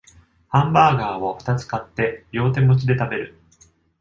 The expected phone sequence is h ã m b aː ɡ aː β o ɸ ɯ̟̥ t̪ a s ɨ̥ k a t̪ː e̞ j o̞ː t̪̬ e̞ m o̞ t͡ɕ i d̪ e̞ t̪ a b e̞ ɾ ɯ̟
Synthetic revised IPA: h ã m b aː ɡ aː β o ɸ ɯ̟̥ t̪ a t͡s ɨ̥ k a t̪ː e̞ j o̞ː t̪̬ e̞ m o̞ t͡ɕ i d̪ e̞ t̪ a b e̞ ɾ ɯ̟